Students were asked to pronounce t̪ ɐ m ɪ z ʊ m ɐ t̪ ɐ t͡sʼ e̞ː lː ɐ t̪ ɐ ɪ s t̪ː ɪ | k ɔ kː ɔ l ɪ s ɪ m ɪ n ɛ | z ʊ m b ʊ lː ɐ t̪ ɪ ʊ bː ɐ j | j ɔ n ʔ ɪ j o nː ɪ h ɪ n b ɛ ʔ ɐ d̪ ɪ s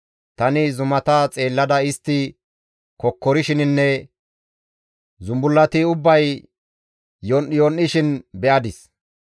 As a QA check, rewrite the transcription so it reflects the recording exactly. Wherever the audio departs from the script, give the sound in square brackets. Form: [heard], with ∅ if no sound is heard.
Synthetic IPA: t̪ ɐ [n] ɪ z ʊ m ɐ t̪ ɐ t͡sʼ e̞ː lː ɐ [d̪] ɐ ɪ s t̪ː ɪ | k ɔ kː ɔ [ɾ] ɪ [ʃ] ɪ [n] ɪ [nː] ɛ | z ʊ m b ʊ lː ɐ t̪ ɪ ʊ bː ɐ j | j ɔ n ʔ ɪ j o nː ɪ [ʃ] ɪ n b ɛ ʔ ɐ d̪ ɪ s